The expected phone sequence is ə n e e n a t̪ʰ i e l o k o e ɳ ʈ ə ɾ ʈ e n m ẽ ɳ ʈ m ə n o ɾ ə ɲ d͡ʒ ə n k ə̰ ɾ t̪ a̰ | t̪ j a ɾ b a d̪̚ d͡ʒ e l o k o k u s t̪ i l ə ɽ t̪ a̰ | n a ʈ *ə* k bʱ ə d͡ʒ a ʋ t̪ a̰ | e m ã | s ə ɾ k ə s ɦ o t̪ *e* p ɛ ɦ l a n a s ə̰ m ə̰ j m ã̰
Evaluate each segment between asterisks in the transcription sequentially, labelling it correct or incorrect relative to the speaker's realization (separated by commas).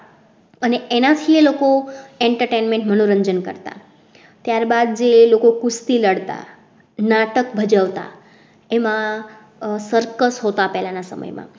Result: correct, incorrect